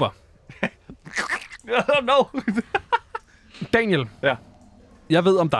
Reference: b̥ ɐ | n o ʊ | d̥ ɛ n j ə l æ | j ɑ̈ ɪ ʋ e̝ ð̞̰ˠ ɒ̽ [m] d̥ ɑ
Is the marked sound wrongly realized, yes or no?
no